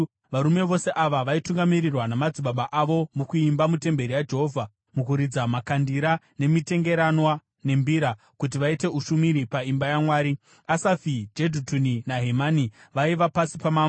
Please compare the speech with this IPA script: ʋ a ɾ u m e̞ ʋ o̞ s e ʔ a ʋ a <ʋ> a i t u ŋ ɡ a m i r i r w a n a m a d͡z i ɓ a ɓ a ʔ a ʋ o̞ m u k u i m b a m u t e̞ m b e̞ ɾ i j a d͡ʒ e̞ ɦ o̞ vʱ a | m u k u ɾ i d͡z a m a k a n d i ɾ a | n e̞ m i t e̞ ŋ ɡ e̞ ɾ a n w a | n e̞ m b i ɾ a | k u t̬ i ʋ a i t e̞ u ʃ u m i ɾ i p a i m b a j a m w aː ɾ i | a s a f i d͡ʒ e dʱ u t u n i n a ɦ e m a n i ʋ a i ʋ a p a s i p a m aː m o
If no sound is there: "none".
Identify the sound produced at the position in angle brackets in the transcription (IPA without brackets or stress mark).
ʋ